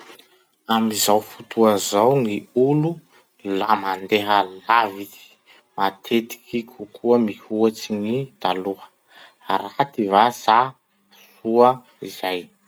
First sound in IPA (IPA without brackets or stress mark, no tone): a